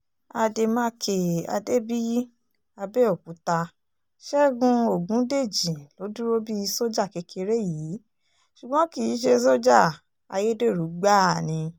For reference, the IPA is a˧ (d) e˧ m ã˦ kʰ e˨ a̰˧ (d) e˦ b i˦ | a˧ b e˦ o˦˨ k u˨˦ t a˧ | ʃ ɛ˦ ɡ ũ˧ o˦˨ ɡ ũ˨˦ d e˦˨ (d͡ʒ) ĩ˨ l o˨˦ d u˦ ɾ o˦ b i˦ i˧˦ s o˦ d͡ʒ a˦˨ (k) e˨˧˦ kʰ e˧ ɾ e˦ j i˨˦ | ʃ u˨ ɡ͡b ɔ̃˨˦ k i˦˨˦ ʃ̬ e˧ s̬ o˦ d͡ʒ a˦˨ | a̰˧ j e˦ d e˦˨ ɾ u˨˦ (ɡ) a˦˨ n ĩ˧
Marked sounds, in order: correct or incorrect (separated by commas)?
correct, correct, correct, correct, incorrect